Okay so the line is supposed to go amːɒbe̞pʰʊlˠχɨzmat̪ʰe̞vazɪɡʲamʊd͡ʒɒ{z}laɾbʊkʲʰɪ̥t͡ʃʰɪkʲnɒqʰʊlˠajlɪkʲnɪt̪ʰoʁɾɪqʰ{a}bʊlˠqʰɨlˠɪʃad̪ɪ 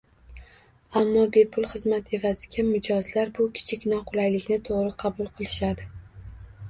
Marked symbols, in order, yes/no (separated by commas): yes, no